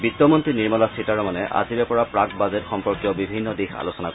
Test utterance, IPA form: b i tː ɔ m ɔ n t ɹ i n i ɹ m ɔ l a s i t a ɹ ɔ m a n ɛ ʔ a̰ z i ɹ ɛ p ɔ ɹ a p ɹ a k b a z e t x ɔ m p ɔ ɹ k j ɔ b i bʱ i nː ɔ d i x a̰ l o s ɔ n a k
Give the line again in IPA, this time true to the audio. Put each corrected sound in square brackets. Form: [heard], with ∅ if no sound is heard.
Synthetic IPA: b i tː ɔ m ɔ n t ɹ i n i ɹ m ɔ l a s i t a ɹ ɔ m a n ɛ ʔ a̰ z i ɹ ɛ p ɔ ɹ a p ɹ a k b a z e t x ɔ m p ɔ ɹ k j ɔ b i bʱ i nː ɔ d i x a̰ l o s ɔ n a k